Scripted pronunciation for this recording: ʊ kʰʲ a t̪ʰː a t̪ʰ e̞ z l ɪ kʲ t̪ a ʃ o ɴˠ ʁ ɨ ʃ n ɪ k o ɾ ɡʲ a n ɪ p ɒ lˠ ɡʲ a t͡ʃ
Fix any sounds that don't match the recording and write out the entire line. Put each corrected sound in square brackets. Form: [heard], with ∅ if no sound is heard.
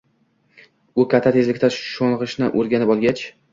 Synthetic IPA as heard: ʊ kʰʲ a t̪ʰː a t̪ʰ e̞ z l ɪ kʲ t̪ a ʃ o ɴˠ ʁ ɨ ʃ n ɪ [ʔ] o ɾ ɡʲ a n ɪ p ɒ lˠ ɡʲ a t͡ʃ